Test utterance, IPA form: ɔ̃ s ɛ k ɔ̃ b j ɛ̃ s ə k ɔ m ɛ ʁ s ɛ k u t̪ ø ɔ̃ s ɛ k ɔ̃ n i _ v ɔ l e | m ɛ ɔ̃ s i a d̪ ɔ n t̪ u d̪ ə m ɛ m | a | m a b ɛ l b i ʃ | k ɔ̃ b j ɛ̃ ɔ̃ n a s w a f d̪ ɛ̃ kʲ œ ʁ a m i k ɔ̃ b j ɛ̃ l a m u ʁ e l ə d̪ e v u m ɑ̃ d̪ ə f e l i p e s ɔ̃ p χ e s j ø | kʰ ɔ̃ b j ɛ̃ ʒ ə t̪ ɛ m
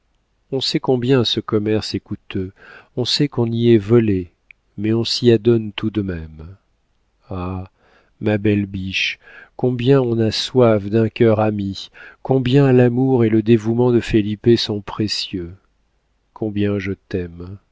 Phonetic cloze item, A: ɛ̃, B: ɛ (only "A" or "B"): B